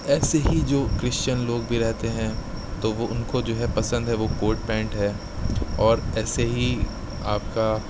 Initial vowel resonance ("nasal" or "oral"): oral